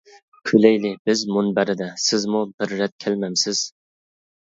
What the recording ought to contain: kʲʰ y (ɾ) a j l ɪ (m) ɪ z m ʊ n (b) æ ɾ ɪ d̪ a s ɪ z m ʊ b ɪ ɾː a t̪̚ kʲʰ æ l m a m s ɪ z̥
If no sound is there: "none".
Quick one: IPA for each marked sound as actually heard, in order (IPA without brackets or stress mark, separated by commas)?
l, b, b